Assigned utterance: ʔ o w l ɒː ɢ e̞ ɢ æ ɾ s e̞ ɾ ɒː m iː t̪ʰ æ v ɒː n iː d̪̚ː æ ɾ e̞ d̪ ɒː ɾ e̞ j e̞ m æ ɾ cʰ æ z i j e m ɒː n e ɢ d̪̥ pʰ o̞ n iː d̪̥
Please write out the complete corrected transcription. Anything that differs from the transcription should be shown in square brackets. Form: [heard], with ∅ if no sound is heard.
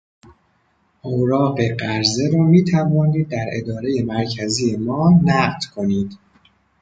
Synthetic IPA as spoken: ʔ o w [ɾ] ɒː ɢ e̞ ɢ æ ɾ [z] e̞ ɾ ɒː m iː t̪ʰ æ v ɒː n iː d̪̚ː æ ɾ e̞ d̪ ɒː ɾ e̞ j e̞ m æ ɾ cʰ æ z i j e m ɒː n [æ] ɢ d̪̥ [kʰ] o̞ n iː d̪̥